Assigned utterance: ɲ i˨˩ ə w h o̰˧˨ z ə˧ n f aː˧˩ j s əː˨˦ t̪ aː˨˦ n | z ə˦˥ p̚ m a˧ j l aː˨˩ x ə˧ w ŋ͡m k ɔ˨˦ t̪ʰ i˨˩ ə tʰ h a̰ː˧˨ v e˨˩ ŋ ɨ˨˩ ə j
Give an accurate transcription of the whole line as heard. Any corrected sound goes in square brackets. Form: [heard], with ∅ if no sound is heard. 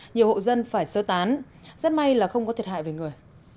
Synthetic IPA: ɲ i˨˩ ə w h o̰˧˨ z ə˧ n f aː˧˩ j s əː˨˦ t̪ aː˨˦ n | z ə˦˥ [t̚] m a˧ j l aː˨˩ x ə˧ w ŋ͡m k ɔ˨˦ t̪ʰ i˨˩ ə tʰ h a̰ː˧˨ v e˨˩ ŋ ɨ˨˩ ə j